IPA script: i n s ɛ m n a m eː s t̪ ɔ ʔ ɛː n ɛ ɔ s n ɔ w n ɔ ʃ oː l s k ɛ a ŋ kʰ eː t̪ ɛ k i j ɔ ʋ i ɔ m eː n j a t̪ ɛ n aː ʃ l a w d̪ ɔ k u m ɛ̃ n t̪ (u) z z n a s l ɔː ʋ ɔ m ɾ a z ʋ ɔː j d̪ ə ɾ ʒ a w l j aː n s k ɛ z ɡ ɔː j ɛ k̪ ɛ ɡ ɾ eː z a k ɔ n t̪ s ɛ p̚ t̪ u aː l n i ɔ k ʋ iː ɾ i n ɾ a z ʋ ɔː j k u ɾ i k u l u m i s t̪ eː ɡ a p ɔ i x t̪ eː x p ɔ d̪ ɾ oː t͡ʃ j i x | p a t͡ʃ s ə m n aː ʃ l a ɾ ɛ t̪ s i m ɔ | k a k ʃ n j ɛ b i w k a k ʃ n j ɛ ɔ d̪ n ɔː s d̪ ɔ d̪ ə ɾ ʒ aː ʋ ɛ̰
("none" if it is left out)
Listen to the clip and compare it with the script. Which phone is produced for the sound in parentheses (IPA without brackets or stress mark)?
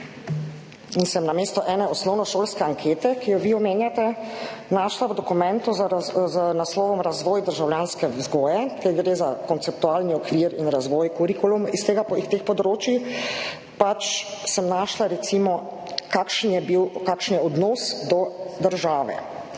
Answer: u